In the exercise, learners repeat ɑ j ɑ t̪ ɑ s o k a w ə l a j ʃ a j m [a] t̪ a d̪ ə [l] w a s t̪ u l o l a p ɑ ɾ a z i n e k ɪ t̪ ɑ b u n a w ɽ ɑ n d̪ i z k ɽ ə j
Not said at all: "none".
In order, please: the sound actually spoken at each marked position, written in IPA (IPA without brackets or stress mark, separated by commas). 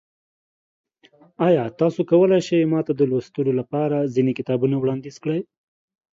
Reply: ɑ, l